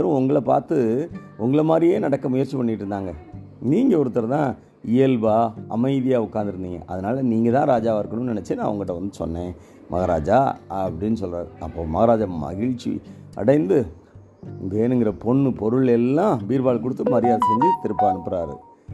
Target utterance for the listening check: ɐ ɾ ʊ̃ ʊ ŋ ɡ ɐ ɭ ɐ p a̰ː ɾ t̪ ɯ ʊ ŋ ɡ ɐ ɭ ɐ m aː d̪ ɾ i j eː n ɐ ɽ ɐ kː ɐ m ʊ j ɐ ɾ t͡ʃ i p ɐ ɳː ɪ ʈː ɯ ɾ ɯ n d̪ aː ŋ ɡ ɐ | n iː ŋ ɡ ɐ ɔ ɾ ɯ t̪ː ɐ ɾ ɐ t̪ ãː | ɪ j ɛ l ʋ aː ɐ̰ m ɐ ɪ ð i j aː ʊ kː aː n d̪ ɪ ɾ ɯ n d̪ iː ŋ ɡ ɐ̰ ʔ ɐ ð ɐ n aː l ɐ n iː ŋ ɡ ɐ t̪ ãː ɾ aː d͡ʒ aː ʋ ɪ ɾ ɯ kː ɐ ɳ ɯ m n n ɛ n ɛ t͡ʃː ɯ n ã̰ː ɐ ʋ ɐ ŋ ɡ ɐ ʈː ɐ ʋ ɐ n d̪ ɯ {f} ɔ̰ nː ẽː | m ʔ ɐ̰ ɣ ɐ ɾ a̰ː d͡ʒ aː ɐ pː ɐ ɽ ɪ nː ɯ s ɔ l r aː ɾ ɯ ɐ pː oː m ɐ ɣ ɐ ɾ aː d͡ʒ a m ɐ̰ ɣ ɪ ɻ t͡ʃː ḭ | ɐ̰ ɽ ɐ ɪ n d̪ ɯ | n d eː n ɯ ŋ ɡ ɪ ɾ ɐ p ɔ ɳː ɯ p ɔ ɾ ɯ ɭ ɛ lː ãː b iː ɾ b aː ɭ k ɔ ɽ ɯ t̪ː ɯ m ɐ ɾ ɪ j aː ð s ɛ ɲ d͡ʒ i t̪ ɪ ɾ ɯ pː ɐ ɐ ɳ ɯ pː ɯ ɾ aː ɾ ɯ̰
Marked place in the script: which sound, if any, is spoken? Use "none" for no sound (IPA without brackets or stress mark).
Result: s